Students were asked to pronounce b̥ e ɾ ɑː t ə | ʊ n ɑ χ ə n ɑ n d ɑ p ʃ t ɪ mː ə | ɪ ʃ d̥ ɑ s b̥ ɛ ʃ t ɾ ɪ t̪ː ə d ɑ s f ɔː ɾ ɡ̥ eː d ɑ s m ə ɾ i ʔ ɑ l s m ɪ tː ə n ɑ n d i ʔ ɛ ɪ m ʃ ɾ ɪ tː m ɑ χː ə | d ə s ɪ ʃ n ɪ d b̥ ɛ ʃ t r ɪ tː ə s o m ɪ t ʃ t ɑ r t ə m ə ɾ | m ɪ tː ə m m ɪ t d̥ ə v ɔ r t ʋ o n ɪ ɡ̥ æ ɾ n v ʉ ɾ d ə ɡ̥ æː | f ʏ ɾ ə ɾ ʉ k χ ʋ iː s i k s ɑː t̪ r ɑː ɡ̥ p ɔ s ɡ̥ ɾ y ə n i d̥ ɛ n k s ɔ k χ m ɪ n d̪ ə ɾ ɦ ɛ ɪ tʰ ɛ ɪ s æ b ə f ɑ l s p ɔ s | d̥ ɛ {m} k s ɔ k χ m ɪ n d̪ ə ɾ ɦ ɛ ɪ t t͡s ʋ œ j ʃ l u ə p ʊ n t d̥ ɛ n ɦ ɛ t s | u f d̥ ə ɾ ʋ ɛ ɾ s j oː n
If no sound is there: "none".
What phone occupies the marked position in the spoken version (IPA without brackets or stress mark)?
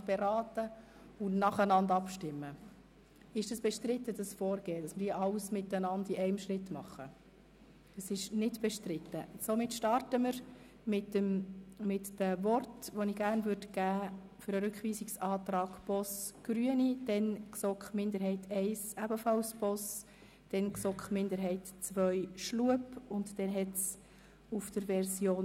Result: n